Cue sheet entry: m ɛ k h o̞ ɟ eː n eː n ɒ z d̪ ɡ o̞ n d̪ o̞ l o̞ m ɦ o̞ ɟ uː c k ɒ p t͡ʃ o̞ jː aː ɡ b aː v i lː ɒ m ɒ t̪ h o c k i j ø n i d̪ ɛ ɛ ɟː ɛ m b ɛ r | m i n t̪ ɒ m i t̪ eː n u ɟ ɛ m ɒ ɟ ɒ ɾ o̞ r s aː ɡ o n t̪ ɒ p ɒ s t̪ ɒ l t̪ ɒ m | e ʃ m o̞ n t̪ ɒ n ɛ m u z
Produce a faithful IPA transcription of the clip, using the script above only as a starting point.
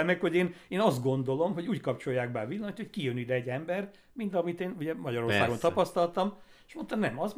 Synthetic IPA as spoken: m ɛ k h o̞ ɟ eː n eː n ɒ z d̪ ɡ o̞ n d̪ o̞ l o̞ m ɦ o̞ ɟ uː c k ɒ p t͡ʃ o̞ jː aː ɡ b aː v i lː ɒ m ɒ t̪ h o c k i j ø n i d̪ ɛ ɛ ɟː ɛ m b ɛ r | m i n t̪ ɒ m i t̪ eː n u ɟ ɛ m ɒ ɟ ɒ ɾ o̞ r s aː ɡ o n t̪ ɒ p ɒ s t̪ ɒ l t̪ ɒ m | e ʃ m o̞ n t̪ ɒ n ɛ m ɒ z